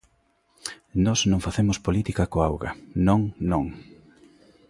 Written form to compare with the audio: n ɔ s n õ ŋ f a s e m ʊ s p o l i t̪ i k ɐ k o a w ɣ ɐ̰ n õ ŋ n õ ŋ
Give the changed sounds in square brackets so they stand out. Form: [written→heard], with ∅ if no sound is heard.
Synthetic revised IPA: n ɔ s n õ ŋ f a [s→θ] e m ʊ s p o l i t̪ i k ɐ k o a w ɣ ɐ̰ n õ ŋ n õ ŋ